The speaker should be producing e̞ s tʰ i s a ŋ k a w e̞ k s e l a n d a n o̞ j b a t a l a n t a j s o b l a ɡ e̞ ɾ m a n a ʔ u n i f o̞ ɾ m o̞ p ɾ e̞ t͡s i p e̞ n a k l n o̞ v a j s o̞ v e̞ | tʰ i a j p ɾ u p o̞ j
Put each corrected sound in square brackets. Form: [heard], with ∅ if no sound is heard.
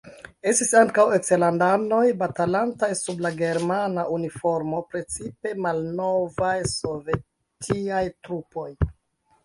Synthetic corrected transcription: e̞ s [t] i s a ŋ k a w e̞ k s e l a n d a n o̞ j b a t a l a n t a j s [u] b l a ɡ e̞ ɾ m a n a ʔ u n i f o̞ ɾ m o̞ p ɾ e̞ t͡s i p e̞ [m] a [∅] l n o̞ v a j s o̞ v e̞ | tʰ i a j [t] ɾ u p o̞ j